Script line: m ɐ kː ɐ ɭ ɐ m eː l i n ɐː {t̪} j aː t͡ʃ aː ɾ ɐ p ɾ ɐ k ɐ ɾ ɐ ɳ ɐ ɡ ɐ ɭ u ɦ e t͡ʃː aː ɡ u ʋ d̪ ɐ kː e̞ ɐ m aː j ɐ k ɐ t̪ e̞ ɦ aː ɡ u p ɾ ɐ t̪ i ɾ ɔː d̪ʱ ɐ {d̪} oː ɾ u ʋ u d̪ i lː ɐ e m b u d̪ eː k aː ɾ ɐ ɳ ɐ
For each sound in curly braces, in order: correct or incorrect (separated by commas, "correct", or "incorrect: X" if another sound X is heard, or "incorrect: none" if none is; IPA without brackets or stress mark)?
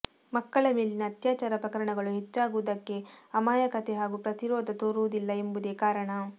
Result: correct, incorrect: t̪